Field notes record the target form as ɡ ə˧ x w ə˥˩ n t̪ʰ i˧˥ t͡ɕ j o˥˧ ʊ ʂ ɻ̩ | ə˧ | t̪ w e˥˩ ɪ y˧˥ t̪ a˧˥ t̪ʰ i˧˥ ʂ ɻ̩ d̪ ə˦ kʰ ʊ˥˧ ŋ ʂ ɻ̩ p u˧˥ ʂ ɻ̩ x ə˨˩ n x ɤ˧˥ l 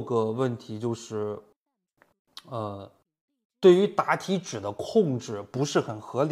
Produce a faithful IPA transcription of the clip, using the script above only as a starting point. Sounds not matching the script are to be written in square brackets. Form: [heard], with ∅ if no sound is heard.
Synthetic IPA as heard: ɡ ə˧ [∅] w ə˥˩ n t̪ʰ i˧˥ t͡ɕ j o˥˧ ʊ ʂ ɻ̩ | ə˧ | t̪ w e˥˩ ɪ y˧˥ t̪ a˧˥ t̪ʰ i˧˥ [ʈ͡ʂ] ɻ̩ d̪ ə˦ kʰ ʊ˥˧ ŋ [ʈ͡ʂ] ɻ̩ p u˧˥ ʂ ɻ̩ x ə˨˩ n x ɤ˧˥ l